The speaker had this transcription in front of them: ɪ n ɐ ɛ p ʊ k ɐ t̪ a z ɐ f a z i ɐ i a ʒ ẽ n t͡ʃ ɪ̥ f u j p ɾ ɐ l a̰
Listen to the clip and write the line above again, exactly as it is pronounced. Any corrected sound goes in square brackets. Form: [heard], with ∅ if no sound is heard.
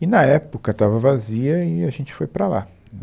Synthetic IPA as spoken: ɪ n ɐ ɛ p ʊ k ɐ t̪ a [v] ɐ [v] a z i ɐ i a ʒ ẽ n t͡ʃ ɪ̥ f [o] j p ɾ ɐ l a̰